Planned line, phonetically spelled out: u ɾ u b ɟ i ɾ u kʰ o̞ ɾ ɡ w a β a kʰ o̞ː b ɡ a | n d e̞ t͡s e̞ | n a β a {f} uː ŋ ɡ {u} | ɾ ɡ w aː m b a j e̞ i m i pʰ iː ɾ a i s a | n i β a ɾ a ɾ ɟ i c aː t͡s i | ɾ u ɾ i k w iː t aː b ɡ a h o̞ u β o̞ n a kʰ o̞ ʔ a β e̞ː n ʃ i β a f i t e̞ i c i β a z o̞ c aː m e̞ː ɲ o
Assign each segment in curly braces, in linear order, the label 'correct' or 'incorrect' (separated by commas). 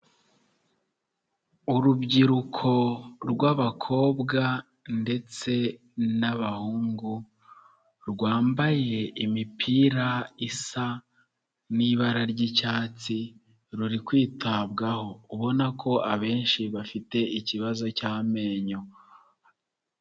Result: incorrect, correct